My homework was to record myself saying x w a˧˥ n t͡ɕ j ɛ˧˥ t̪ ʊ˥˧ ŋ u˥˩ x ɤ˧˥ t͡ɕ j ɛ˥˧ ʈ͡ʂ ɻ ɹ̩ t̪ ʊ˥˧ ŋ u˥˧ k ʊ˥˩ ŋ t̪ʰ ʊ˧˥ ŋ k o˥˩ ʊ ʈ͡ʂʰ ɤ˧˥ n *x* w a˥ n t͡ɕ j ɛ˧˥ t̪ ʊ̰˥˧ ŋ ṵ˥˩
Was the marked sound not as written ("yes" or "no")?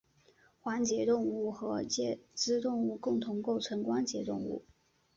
yes